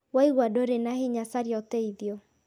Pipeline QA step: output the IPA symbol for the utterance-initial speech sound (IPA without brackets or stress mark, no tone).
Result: w